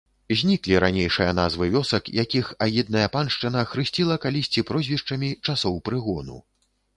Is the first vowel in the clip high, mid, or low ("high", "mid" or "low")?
high